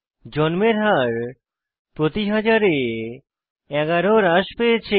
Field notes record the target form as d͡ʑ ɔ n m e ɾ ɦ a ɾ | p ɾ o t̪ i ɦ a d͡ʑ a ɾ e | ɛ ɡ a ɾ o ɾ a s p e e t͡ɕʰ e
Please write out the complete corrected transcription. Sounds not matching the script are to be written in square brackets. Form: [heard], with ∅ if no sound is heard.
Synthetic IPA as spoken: d͡ʑ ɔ n m e ɾ ɦ a ɾ | p ɾ o t̪ i ɦ a d͡ʑ a ɾ e | ɛ ɡ a ɾ o ɾ a [ʃ] p e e t͡ɕʰ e

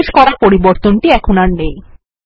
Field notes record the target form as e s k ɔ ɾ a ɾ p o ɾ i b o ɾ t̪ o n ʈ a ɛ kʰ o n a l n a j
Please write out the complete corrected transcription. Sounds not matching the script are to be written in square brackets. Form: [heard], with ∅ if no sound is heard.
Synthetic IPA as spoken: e [ʃ] k ɔ ɾ a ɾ p o ɾ i b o ɾ t̪ o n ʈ [i] ɛ kʰ o n a [ɾ] n [e] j

